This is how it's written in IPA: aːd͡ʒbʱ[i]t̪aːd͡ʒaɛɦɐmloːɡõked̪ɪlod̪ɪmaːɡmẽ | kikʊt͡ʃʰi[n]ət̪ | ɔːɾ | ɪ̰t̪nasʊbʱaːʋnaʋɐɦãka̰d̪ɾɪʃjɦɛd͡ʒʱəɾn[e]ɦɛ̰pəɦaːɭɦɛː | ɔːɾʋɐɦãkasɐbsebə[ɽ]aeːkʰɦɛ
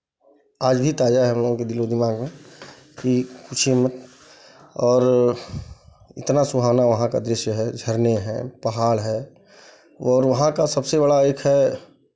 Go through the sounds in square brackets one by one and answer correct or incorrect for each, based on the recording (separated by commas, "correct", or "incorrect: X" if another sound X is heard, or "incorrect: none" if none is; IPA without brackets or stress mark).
correct, incorrect: m, correct, correct